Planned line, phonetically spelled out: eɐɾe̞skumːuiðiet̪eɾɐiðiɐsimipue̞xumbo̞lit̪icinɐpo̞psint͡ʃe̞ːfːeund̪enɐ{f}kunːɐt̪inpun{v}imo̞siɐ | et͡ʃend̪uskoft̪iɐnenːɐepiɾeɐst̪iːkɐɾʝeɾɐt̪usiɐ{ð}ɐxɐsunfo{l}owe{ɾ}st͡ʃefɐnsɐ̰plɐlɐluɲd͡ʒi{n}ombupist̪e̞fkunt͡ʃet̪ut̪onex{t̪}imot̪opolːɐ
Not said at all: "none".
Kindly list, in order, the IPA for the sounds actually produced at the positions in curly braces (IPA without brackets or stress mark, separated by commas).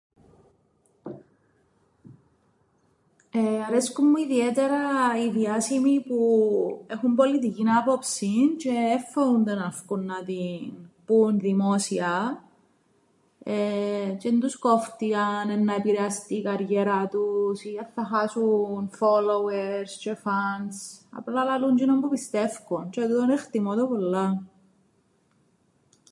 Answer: f, ð, θ, l, ɾ, n, t̪